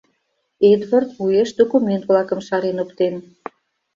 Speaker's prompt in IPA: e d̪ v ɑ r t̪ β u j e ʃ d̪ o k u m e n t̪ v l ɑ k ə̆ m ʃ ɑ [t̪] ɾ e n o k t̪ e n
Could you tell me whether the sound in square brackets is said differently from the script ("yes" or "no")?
yes